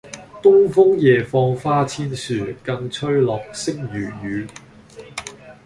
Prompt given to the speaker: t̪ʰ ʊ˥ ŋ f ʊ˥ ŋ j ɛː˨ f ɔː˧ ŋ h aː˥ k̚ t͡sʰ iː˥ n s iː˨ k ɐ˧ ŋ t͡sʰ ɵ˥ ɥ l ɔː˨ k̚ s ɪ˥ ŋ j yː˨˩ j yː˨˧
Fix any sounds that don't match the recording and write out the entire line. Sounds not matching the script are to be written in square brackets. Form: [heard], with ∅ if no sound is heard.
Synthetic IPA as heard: [t̪] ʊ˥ ŋ f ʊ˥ ŋ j ɛː˨ f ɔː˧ ŋ [f] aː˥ [∅] t͡sʰ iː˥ n s [yː˨] k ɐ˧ ŋ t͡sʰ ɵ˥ ɥ l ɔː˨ k̚ s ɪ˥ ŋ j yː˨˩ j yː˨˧